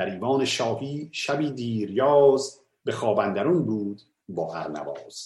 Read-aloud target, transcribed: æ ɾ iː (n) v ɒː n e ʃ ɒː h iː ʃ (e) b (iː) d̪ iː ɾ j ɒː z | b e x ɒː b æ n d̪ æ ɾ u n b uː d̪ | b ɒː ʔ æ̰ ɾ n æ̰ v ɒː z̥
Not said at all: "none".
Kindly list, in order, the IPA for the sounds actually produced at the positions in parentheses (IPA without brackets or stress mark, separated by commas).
none, æ, iː